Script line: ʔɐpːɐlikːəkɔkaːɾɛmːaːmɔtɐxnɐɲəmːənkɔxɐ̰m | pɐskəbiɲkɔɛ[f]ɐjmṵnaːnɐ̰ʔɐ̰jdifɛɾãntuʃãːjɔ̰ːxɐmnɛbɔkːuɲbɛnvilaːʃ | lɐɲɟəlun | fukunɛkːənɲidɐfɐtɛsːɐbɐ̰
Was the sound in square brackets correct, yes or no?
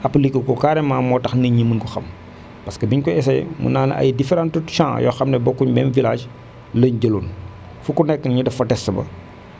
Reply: no